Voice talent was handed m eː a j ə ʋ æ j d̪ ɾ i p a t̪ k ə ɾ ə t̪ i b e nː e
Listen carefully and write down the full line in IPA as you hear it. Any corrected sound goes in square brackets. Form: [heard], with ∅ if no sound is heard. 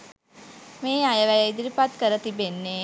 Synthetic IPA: m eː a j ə ʋ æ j d̪ ɾ i p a t̪ k ə ɾ ə t̪ i b e nː e